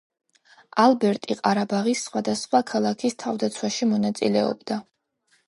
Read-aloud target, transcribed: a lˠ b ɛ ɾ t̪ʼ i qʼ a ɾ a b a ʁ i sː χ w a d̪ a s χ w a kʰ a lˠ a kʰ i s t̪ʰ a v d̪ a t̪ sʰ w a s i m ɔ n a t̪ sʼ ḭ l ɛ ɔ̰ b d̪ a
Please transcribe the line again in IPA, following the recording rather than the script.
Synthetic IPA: a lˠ b ɛ ɾ t̪ʼ i qʼ a ɾ a b a ʁ i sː χ w a d̪ a s χ w a kʰ a lˠ a kʰ i s t̪ʰ a v d̪ a t̪ sʰ w a ʃ i m ɔ n a t̪ sʼ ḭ l ɛ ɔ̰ b d̪ a

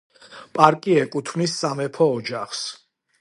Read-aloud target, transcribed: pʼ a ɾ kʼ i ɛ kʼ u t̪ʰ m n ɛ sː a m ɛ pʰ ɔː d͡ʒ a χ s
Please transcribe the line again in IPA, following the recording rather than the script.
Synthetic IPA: pʼ a ɾ kʼ i ɛ kʼ u t̪ʰ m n i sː a m ɛ pʰ ɔː d͡ʒ a χ s

